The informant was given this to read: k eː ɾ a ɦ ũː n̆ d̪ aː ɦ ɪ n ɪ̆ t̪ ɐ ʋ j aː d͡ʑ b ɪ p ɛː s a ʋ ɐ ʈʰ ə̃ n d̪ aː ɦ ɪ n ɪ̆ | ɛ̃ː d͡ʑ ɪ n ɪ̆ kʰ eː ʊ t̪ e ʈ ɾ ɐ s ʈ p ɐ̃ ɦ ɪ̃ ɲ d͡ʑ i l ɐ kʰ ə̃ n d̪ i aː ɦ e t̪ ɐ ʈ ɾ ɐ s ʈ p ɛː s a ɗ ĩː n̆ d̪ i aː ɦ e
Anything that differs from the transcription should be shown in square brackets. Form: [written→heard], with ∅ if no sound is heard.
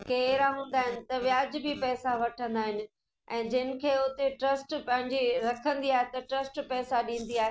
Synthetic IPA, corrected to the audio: k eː ɾ a ɦ ũː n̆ d̪ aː ɦ ɪ n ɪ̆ t̪ ɐ ʋ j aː d͡ʑ b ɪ p ɛː s a ʋ ɐ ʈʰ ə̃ n d̪ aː ɦ ɪ n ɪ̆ | ɛ̃ː d͡ʑ ɪ n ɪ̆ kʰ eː ʊ t̪ e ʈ ɾ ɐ s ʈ p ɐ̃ ɦ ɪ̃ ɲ d͡ʑ i [l→ɾ] ɐ kʰ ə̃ n d̪ i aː ɦ e t̪ ɐ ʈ ɾ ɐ s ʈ p ɛː s a ɗ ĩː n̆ d̪ i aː ɦ e